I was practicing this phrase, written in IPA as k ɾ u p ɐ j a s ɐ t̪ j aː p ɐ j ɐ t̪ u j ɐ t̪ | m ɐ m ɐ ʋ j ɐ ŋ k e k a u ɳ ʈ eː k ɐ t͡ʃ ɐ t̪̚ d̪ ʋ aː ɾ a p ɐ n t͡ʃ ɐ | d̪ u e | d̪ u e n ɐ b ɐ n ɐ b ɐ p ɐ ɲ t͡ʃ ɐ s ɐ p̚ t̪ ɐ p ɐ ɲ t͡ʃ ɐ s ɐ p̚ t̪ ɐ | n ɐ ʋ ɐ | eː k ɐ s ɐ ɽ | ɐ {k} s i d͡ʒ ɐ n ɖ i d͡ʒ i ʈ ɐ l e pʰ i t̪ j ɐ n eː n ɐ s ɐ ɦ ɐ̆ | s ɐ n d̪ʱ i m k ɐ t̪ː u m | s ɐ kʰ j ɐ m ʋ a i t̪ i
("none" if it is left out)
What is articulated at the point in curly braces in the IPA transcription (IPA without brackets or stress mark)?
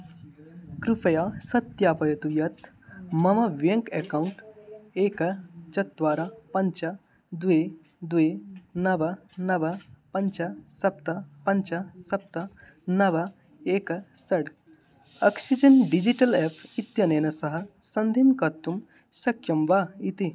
k